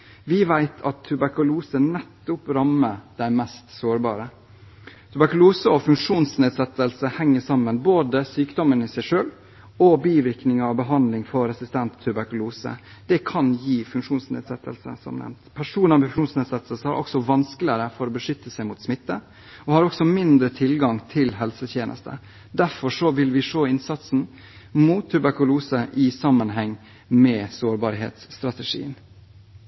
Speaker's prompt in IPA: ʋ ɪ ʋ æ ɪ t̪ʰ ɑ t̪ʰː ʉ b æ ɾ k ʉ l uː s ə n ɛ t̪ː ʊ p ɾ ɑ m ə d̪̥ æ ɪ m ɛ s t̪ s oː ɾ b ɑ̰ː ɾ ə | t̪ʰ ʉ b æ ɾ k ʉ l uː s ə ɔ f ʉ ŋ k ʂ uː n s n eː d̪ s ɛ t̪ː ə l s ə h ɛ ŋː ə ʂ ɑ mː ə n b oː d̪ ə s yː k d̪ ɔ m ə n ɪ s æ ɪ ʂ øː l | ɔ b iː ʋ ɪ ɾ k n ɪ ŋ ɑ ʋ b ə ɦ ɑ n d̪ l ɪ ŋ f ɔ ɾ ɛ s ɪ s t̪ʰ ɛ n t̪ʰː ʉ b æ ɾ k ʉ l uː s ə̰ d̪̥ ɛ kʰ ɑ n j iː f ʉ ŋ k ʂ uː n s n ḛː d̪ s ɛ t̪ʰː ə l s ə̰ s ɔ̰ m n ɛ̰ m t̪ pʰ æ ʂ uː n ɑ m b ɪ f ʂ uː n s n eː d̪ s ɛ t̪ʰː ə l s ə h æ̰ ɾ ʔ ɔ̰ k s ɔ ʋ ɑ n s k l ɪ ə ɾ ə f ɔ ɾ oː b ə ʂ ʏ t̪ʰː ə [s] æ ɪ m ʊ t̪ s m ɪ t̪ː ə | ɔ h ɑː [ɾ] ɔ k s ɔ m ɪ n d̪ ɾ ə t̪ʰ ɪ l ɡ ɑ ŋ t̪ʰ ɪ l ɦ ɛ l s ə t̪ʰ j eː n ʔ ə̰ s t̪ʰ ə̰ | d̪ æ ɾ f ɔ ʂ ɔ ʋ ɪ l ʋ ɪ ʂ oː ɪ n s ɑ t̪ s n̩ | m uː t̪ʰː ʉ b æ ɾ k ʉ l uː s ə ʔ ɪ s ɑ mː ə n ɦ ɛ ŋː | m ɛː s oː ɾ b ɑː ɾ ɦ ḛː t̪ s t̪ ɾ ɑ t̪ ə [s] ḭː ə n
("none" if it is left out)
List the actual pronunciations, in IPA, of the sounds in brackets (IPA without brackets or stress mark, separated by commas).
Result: s, ɾ, ʂ